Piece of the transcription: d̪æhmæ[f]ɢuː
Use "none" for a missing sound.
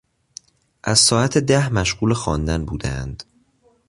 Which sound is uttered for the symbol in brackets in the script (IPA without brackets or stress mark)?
ʃ